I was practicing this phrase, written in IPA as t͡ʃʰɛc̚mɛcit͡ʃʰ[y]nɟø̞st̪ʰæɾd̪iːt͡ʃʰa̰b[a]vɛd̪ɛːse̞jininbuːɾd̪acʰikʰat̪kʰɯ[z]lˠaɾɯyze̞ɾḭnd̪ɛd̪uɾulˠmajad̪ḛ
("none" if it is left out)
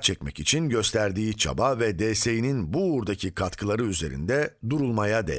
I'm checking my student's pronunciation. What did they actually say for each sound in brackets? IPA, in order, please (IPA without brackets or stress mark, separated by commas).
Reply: i, a, none